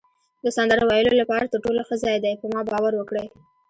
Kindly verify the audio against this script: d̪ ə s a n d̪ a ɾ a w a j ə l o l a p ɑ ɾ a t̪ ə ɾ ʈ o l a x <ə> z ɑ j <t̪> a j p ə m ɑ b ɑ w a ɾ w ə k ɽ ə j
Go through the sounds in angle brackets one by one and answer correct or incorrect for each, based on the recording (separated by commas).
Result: correct, incorrect